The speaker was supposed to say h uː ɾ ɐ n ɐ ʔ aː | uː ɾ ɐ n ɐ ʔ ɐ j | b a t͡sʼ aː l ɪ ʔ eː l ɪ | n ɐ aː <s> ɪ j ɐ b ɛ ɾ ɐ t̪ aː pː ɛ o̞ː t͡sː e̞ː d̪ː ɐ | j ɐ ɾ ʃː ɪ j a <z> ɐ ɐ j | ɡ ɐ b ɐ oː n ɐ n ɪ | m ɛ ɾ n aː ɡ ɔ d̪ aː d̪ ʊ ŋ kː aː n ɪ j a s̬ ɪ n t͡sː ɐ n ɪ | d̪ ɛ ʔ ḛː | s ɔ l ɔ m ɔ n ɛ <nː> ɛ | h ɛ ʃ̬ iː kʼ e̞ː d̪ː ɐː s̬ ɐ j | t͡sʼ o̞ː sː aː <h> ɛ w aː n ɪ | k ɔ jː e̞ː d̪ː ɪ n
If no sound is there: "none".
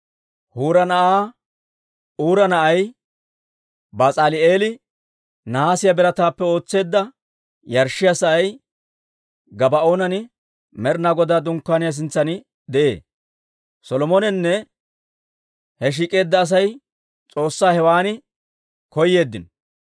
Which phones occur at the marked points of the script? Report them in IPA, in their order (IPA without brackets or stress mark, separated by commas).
s, s, nː, h